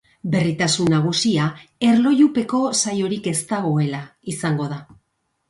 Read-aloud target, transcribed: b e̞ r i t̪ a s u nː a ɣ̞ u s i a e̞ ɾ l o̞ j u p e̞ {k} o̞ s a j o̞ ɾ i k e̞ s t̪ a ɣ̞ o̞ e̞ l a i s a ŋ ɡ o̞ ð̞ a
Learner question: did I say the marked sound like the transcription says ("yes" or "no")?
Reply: yes